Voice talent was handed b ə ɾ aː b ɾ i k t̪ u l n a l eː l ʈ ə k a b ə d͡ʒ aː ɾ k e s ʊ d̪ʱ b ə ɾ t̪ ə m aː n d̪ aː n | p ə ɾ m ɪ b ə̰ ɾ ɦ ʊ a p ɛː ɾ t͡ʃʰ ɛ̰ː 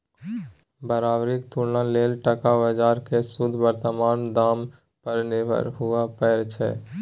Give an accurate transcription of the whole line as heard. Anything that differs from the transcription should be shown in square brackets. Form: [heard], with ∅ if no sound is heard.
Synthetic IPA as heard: b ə ɾ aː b ɾ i k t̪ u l n a l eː l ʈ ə k a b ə d͡ʒ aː ɾ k e s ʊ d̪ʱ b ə ɾ t̪ ə m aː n d̪ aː [m] | p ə ɾ [n] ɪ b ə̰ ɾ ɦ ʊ a p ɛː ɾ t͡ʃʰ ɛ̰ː

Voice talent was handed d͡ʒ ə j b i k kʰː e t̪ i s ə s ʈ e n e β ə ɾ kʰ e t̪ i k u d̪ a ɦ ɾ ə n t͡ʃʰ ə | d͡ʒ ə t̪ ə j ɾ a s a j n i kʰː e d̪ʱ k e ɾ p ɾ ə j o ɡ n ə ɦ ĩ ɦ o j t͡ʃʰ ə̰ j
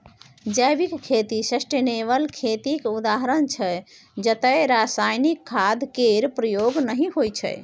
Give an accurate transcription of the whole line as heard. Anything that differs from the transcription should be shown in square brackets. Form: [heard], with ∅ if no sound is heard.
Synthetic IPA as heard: d͡ʒ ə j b i k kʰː e t̪ i s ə s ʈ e n e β ə [l] kʰ e t̪ i k u d̪ a ɦ ɾ ə n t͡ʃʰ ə | d͡ʒ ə t̪ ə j ɾ a s a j n i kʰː [a] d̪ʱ k e ɾ p ɾ ə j o ɡ n ə ɦ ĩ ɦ o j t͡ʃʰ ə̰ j

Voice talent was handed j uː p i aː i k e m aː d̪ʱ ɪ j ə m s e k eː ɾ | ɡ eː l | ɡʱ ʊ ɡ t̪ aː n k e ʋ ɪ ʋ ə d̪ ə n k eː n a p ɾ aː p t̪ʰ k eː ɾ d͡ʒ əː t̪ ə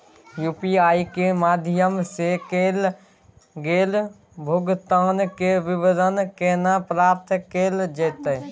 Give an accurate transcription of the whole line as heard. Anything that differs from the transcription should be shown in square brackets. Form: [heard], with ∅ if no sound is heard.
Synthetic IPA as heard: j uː p i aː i k e m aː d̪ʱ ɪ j ə m s e k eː [l] | ɡ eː l | [bʱ] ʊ ɡ t̪ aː n k e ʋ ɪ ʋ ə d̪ ə n k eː n a p ɾ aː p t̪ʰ k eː [l] d͡ʒ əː t̪ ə

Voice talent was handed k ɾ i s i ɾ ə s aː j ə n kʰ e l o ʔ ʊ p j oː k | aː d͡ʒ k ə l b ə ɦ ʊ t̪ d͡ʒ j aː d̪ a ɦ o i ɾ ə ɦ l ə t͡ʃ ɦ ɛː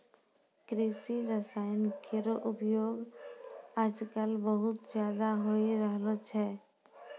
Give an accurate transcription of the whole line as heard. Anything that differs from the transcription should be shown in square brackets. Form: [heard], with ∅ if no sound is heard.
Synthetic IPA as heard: k ɾ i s i ɾ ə s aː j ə n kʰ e [ɾ] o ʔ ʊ p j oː [ɡ] | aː d͡ʒ k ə l b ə ɦ ʊ t̪ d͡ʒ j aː d̪ a ɦ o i ɾ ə ɦ l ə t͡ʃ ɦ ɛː

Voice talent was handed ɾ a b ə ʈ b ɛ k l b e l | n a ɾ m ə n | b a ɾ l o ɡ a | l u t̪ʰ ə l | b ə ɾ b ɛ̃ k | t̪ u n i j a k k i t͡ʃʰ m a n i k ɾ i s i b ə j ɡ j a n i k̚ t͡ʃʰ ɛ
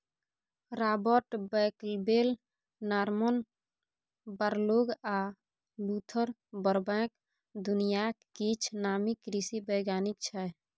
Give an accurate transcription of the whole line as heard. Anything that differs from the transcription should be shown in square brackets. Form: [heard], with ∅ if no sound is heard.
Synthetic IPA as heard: ɾ a b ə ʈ b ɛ k l b e l | n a ɾ m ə n | b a ɾ l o ɡ a | l u t̪ʰ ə [ɾ] | b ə ɾ b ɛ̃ k | [d̪] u n i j a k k i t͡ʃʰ [n] a [m] i k ɾ i s i b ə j ɡ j a n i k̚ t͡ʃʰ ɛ

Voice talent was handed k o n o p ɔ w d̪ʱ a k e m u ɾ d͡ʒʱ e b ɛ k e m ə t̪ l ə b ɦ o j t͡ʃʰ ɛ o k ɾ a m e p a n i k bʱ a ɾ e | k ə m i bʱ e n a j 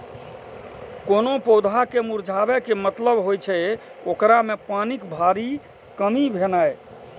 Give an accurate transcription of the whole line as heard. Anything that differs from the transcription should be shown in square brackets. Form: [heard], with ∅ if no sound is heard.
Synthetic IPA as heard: k o n o p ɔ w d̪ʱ a k e m u ɾ d͡ʒʱ [a] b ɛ k e m ə t̪ l ə b ɦ o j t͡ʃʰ ɛ o k ɾ a m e p a n i k bʱ a ɾ [i] | k ə m i bʱ e n a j

